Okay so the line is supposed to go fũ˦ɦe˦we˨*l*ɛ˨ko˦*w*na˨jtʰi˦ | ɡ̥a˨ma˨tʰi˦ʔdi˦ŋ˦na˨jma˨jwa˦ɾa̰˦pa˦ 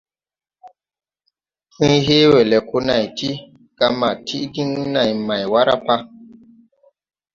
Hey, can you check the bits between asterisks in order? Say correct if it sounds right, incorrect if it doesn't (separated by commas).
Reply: correct, incorrect